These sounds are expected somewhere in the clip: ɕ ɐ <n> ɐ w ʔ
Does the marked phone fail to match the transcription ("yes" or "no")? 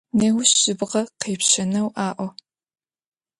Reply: no